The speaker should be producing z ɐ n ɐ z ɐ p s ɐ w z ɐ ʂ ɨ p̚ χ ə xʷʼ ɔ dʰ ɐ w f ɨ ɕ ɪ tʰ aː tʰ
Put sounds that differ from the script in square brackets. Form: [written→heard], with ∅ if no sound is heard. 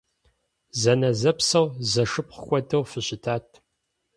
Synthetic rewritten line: z ɐ n ɐ z ɐ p s ɐ w z ɐ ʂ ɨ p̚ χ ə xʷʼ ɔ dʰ ɐ w f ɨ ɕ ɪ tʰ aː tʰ